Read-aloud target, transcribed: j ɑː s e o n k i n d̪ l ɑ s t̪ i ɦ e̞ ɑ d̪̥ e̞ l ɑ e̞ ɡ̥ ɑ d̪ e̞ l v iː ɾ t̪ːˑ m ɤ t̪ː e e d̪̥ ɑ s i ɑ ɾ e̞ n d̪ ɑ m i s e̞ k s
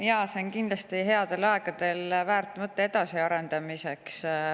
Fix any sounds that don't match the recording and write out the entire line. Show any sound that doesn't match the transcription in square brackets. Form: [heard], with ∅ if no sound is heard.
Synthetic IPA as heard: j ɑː s e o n k i n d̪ l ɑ s t̪ i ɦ e̞ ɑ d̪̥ e̞ l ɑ e̞ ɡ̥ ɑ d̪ e̞ l v [æː] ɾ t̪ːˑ m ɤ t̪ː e e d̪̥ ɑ s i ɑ ɾ e̞ n d̪ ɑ m i s e̞ k s

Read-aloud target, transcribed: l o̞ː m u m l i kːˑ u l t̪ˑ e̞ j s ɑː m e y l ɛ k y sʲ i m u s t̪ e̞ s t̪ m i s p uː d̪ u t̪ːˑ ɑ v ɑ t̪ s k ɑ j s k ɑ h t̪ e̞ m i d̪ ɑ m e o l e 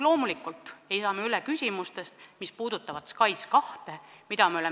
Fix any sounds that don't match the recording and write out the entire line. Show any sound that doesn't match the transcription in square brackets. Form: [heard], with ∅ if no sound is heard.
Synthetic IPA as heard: l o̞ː m u [∅] l i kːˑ u l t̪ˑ e̞ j s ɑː m e y l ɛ k y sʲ i m u s t̪ e̞ s t̪ m i s p uː d̪ u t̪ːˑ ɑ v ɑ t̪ s k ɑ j s k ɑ h t̪ e̞ m i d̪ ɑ m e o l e

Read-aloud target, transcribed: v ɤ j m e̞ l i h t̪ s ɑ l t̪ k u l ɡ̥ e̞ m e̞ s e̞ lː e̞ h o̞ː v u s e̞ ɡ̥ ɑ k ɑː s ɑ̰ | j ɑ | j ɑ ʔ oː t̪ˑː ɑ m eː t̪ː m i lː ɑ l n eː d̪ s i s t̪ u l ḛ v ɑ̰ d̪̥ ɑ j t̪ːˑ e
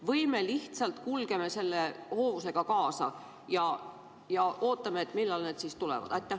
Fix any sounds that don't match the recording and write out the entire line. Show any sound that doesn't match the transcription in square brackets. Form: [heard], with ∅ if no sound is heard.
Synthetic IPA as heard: v ɤ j m e̞ l i h t̪ s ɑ l t̪ k u l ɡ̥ e̞ m e̞ s e̞ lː e̞ h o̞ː v u s e̞ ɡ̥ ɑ k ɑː s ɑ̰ | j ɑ | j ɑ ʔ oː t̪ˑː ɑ m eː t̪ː m i lː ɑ l n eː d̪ s i s t̪ u l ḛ v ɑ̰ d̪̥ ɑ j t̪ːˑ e

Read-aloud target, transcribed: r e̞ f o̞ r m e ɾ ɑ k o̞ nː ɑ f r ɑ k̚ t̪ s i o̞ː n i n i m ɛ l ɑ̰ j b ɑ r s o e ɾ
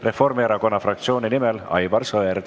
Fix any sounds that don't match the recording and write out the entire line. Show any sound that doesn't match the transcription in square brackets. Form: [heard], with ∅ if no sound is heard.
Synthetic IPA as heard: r e̞ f o̞ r m e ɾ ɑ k o̞ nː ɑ f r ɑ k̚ t̪ s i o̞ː n i n i m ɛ l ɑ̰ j b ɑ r s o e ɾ

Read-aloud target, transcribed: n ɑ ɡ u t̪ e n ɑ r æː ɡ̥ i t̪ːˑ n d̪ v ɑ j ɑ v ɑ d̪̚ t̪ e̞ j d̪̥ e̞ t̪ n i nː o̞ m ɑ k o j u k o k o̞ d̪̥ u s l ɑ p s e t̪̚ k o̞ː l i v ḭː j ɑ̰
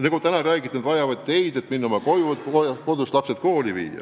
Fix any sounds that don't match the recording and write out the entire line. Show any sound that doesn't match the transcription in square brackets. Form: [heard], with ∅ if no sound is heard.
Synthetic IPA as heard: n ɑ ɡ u t̪ [æ] n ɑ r æː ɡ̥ i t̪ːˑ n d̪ v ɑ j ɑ v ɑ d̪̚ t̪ e̞ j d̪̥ e̞ t̪ [m] i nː o̞ m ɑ k o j u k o k o̞ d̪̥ u s l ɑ p s e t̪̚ k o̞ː l i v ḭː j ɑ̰

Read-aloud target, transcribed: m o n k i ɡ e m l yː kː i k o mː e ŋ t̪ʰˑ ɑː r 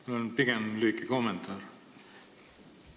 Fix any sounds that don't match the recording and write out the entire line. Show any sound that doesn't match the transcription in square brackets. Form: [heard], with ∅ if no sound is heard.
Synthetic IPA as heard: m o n [p] i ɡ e m l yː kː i k o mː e [n] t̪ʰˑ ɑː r

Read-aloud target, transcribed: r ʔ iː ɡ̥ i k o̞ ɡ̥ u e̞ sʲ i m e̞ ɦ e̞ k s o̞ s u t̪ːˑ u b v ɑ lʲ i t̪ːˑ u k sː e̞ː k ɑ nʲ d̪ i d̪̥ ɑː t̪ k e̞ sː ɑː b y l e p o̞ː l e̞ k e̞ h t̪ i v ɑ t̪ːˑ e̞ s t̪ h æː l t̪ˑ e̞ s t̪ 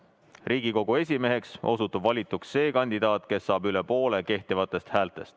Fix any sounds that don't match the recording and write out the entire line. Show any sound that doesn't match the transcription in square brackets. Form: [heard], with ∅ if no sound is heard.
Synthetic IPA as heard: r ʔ iː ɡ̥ i k o̞ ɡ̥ u e̞ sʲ i m e̞ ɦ e̞ k s o̞ s u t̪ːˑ u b v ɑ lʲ i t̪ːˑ u k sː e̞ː k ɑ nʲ d̪ i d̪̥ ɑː t̪ k e̞ sː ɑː b y l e p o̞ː l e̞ k e̞ h t̪ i v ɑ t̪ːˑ e̞ s t̪ h æː l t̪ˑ e̞ s t̪

